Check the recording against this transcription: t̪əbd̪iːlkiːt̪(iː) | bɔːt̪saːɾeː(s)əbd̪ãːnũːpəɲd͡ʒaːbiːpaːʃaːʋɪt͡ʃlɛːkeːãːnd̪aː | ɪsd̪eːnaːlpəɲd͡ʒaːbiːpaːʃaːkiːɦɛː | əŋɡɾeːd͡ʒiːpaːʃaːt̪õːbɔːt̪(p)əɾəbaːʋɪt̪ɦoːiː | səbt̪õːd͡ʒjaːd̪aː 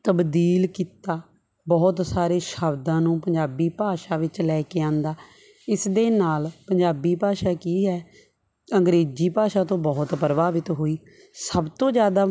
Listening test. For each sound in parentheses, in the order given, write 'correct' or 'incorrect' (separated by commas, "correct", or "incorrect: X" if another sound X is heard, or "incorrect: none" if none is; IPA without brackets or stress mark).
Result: incorrect: aː, incorrect: ʃ, correct